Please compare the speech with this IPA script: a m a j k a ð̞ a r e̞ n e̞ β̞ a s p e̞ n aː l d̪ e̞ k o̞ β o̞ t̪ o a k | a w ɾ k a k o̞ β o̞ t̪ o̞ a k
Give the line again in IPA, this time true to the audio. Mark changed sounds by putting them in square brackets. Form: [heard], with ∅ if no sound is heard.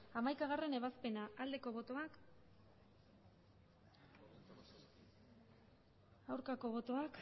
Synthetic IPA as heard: a m a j k a [ɣ̞] a r e̞ n e̞ β̞ a s p e̞ n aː l d̪ e̞ k o̞ β o̞ t̪ o a k | a w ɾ k a k o̞ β o̞ t̪ o̞ a k